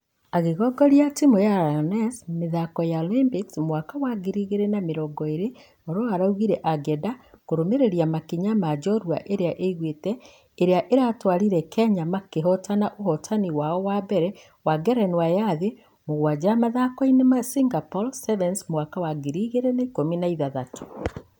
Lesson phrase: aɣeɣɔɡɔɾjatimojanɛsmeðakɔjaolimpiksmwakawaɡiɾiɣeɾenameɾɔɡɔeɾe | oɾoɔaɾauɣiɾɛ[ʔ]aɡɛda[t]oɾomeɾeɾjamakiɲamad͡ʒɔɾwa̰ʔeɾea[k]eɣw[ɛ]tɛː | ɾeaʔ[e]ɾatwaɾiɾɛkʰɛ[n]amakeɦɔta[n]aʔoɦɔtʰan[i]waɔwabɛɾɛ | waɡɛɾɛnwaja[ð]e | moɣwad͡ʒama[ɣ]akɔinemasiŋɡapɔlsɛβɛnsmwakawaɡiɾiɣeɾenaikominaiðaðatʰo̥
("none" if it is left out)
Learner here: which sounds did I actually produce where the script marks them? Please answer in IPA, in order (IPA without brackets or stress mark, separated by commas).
ʔ, k, ʔ, e, e, ɲ, n, i, ð, ð